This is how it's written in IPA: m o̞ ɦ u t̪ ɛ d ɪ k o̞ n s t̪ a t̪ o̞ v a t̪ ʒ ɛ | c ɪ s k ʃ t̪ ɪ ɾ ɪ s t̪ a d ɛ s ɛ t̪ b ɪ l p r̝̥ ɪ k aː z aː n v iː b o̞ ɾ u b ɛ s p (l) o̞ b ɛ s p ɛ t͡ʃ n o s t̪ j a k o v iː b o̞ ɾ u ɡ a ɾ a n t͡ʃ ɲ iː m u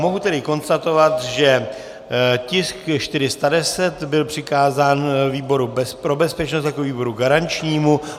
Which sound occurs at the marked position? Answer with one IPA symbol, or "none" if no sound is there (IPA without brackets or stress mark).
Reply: ɾ